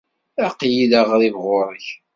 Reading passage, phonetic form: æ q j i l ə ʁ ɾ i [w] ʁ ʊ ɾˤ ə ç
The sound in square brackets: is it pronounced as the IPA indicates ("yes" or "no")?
no